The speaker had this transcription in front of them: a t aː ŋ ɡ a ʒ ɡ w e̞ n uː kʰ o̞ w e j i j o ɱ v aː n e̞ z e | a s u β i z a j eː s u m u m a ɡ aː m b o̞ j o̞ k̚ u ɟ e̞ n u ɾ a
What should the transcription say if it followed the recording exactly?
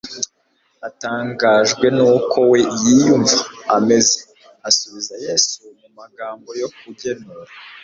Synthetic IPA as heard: a t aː ŋ ɡ a ʒ ɡ w e̞ n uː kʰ o̞ w e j i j u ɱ v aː m e̞ z e | a s u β i z a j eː s u m u m a ɡ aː m b o̞ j o̞ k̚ u ɟ e̞ n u ɾ a

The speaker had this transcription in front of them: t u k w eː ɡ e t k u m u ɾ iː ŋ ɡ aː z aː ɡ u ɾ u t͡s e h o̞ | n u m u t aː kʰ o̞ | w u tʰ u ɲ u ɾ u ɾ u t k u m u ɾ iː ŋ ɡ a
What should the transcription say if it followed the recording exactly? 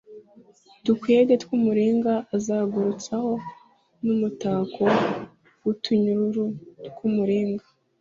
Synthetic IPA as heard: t u k w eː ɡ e t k u m u ɾ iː ŋ ɡ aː z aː ɡ u ɾ u t͡s a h o̞ | n u m u t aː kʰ o̞ | w u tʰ u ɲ u ɾ u ɾ u t k u m u ɾ iː ŋ ɡ a

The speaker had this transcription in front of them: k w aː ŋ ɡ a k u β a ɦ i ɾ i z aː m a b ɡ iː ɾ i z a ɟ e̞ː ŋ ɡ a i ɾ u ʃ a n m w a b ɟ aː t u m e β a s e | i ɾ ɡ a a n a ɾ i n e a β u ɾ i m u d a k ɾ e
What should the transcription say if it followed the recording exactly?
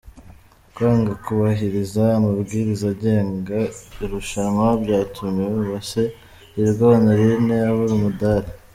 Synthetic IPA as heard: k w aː ŋ ɡ a k u β a ɦ i ɾ i z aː m a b ɡ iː ɾ i z a ɟ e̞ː ŋ ɡ a i ɾ u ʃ a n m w a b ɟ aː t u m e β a s e | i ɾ ɡ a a n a ɾ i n e a β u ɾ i m u d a ɾ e

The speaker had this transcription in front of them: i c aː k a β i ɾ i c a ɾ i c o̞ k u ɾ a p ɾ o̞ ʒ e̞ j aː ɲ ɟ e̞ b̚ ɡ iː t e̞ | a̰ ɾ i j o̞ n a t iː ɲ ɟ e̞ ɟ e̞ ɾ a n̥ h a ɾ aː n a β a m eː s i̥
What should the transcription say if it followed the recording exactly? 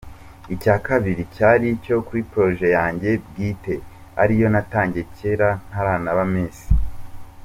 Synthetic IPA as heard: i c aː k a β i ɾ i c a ɾ i c o̞ k u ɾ i p ɾ o̞ ʒ e̞ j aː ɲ ɟ e̞ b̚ ɡ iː t e̞ | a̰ ɾ i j o̞ n a t aː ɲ ɟ e̞ c e̞ ɾ a n̥ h a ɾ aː n a β a m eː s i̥

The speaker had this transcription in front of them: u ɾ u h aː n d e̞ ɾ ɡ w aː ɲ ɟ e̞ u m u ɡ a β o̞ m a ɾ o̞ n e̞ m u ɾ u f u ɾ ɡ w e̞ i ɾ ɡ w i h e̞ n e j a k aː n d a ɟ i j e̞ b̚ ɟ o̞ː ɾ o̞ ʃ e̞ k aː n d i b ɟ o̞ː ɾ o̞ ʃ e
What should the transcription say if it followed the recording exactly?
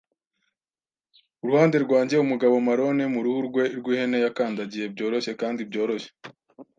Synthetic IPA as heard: u ɾ u h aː n d e̞ ɾ ɡ w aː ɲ ɟ e̞ u m u ɡ a β o̞ m a ɾ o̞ n e̞ m u ɾ u h u ɾ ɡ w e̞ i ɾ ɡ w i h e̞ n e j a k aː n d a ɟ i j e̞ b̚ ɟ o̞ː ɾ o̞ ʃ e̞ k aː n d i b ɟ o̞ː ɾ o̞ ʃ e

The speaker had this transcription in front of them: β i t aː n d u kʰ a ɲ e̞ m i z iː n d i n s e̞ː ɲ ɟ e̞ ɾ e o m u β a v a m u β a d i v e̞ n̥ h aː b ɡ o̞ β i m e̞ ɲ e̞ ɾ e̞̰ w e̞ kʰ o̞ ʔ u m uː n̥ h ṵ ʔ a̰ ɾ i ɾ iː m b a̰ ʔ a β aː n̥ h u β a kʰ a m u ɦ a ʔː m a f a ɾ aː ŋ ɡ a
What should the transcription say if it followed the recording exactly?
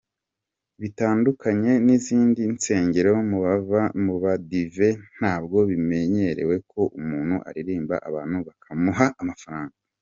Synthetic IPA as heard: β i t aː n d u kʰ a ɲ e̞ n i z iː n d i n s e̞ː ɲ ɟ e̞ ɾ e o m u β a v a m u β a d i v e̞ n̥ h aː b ɡ o̞ β i m e̞ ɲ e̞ ɾ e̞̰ w e̞ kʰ o̞ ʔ u m uː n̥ h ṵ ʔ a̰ ɾ i ɾ iː m b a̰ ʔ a β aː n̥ h u β a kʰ a m u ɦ a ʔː m a f a ɾ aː ŋ ɡ a

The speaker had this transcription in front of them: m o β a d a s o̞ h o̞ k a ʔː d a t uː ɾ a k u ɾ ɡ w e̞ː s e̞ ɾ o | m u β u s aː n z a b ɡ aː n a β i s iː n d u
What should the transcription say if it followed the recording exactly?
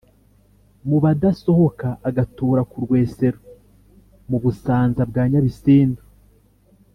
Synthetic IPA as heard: m u β a d a s o̞ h o̞ k a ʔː ɡ a t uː ɾ a k u ɾ ɡ w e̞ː s e̞ ɾ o | m u β u s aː n z a b ɡ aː ɲ a β i s iː n d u

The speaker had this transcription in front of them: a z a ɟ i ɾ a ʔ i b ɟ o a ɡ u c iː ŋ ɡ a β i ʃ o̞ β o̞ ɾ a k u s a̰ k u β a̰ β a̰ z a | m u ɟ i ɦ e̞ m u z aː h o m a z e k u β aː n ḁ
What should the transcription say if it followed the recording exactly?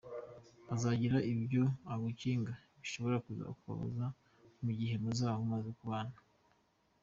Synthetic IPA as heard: a z a ɟ i ɾ a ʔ i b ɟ o a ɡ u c iː ŋ ɡ a β i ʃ o̞ β o̞ ɾ a k u z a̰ k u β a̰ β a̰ z a | m u ɟ i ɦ e̞ m u z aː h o m a z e k u β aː n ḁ

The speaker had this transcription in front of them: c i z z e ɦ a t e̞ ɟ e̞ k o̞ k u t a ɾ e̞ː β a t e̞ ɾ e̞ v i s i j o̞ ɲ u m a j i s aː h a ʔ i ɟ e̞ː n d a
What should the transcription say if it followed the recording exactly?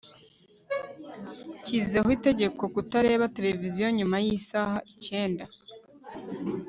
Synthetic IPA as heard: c i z z e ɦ i t e̞ ɟ e̞ k o̞ k u t a ɾ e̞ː β a t e̞ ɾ e̞ v i z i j o̞ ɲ u m a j i s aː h a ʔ i c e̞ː n d a

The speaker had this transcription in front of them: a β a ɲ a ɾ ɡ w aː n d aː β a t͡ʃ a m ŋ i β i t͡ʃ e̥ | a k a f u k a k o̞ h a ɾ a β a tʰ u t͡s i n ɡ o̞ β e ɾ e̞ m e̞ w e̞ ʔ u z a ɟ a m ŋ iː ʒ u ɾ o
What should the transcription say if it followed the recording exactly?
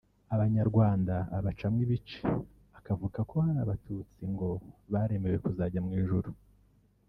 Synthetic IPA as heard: a β a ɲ a ɾ ɡ w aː n d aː β a t͡ʃ a m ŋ i β i t͡ʃ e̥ | a k a v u k a k o̞ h a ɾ a β a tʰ u t͡s i ŋ ɡ o̞ β a ɾ e̞ m e̞ w e̞ k u z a ɟ a m ŋ iː ʒ u ɾ u

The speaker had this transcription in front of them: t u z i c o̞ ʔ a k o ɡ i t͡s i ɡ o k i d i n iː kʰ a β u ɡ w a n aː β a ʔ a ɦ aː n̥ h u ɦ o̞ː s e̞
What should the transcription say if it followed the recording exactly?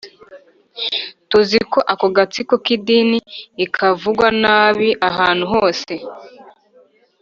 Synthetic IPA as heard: t u z i k o̞ ʔ a k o ɡ a t͡s i k o k i d i n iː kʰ a v u ɡ w a n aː β i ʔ a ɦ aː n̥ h u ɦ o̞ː s e̞

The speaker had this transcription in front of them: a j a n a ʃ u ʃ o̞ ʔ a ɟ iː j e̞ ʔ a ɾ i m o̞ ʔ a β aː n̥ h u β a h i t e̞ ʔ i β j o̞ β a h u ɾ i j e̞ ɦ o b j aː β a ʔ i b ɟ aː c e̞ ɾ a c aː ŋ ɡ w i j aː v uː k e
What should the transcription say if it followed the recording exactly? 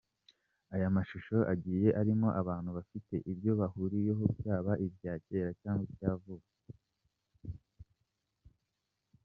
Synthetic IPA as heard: a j a m a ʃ u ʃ o̞ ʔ a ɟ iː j e̞ ʔ a ɾ i m o̞ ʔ a β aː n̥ h u β a f i t e̞ ʔ i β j o̞ β a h u ɾ i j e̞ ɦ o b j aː β a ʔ i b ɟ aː c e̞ ɾ a c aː ŋ ɡ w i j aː v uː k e

